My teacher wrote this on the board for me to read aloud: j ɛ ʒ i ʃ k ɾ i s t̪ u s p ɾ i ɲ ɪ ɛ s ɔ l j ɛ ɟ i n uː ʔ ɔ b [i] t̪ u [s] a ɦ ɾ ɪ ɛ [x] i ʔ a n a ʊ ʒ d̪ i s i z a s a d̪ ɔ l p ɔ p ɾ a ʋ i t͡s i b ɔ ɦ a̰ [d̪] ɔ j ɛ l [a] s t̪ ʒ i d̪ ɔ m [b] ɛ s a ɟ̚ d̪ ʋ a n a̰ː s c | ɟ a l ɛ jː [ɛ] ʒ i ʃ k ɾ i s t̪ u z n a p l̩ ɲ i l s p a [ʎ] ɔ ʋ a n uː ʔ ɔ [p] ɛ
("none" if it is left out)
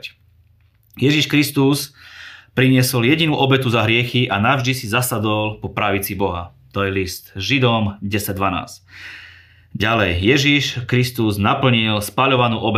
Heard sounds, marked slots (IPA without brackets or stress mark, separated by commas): ɛ, z, x, t̪, i, ɟ, ɛ, ʎ, b